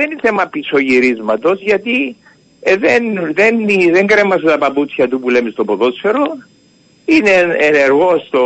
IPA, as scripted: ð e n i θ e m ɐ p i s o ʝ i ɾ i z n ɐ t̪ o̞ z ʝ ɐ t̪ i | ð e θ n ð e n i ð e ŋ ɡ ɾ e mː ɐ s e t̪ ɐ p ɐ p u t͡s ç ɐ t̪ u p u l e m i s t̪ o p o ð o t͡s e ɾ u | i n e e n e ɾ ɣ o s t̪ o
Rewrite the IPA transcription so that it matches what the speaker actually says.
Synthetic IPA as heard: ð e n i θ e m ɐ p i s o ʝ i ɾ i z m ɐ t̪ o̞ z ʝ ɐ t̪ i | ð e n ð e n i ð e ŋ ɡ ɾ e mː ɐ s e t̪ ɐ p ɐ p u t͡s ç ɐ t̪ u p u l e m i s t̪ o p o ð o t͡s e ɾ o | i n e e n e ɾ ɣ o s t̪ o